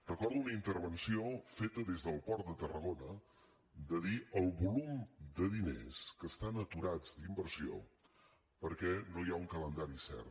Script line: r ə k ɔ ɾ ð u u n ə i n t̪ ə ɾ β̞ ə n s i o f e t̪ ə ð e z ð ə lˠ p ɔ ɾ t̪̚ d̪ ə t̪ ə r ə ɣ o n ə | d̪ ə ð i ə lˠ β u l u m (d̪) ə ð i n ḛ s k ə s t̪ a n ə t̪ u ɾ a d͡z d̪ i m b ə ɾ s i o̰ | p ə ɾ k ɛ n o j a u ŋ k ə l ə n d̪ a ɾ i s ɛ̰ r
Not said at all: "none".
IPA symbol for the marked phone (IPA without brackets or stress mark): d̪